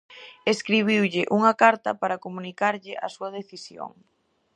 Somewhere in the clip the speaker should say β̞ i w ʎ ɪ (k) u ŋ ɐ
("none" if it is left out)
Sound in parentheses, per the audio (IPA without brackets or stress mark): ʔ